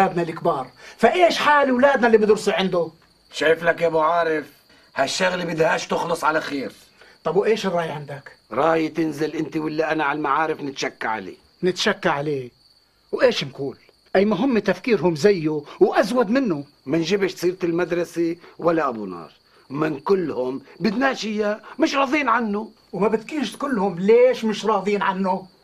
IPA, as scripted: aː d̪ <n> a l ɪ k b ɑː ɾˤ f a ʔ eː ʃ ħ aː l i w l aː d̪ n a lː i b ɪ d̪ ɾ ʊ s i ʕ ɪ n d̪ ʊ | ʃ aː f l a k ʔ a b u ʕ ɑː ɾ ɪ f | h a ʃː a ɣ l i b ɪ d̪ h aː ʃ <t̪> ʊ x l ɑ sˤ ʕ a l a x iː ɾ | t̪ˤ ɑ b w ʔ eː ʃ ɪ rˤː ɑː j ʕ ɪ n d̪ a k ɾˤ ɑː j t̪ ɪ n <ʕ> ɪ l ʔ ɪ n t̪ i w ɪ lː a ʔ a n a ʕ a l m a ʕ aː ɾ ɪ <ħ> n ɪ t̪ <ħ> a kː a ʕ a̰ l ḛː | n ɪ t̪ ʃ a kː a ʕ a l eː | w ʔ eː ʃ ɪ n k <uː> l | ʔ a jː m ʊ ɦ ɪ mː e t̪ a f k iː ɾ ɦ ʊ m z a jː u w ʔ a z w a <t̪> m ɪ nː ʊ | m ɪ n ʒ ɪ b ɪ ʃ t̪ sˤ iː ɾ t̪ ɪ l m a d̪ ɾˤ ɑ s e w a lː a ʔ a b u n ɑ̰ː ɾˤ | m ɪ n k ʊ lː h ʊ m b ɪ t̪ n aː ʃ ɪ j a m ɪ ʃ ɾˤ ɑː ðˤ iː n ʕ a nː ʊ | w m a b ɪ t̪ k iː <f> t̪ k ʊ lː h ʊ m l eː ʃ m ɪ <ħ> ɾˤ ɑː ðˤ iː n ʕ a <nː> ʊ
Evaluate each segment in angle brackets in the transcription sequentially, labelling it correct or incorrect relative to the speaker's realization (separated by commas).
correct, correct, incorrect, incorrect, incorrect, correct, incorrect, incorrect, incorrect, correct